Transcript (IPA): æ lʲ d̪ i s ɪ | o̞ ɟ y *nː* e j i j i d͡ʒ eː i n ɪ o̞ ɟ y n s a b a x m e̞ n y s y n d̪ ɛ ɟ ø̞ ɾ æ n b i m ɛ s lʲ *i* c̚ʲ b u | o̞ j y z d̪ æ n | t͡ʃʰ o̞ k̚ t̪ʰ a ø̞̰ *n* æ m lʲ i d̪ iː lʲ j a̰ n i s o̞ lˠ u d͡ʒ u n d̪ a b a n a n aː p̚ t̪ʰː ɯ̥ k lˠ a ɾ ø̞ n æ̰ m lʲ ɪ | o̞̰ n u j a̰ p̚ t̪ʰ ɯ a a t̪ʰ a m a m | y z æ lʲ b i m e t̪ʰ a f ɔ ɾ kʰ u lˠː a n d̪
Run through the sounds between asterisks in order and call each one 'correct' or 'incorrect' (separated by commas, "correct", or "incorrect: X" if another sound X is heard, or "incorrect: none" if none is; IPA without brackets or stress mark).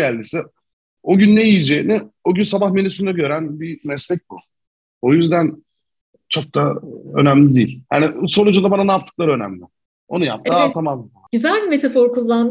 correct, incorrect: ɛ, correct